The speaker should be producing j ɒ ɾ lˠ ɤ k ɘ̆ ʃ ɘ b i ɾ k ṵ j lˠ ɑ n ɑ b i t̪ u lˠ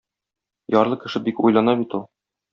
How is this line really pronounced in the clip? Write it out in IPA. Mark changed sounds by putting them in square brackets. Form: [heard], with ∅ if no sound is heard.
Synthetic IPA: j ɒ ɾ lˠ ɤ k ɘ̆ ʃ ɘ b i [∅] k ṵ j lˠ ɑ n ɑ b i t̪ u lˠ